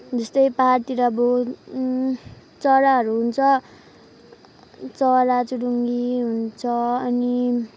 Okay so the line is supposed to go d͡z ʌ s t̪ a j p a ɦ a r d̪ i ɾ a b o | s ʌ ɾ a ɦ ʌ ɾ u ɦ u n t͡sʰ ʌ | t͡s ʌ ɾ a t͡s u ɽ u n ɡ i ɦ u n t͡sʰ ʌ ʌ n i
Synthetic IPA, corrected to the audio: d͡z ʌ s t̪ ʌ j p a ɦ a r t̪ i ɾ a b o | t͡s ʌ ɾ a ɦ ʌ ɾ u ɦ u n t͡sʰ ʌ | t͡s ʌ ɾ a t͡s u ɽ u ŋ ɡ i ɦ u n t͡sʰ ʌ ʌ n i